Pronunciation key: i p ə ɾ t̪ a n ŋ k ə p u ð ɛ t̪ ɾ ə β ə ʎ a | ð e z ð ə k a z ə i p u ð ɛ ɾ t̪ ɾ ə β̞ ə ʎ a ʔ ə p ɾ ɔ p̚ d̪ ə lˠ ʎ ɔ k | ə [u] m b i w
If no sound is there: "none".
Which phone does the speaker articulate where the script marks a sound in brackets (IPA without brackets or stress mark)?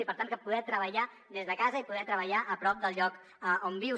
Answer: o